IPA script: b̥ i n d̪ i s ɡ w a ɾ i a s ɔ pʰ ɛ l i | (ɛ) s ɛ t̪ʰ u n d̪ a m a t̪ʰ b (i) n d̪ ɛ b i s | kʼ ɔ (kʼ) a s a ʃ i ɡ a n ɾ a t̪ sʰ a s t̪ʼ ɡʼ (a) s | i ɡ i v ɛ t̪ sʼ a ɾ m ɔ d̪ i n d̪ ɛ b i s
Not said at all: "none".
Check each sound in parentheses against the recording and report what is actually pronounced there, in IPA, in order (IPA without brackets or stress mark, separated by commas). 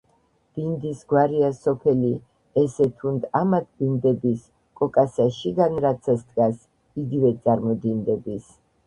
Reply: ɛ, i, kʼ, a